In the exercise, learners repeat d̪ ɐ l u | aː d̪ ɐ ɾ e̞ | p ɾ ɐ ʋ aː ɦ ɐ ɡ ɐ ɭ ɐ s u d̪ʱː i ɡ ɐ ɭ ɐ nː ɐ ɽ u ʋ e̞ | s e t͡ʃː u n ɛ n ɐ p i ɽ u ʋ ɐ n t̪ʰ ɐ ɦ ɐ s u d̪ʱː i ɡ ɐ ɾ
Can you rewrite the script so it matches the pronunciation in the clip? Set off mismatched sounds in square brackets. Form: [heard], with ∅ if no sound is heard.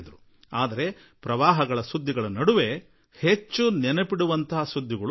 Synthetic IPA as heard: d̪ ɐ [ɾ] u | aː d̪ ɐ ɾ e̞ | p ɾ ɐ ʋ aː ɦ ɐ ɡ ɐ ɭ ɐ s u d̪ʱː i ɡ ɐ ɭ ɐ [n] ɐ ɽ u ʋ e̞ | [h] e t͡ʃː u n ɛ n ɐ p i ɽ u ʋ ɐ n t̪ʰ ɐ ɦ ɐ s u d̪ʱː i ɡ ɐ [ɭ]